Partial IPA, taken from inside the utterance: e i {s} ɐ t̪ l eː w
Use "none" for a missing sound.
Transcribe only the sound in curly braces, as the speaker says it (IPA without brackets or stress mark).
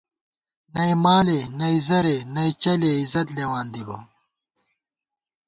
z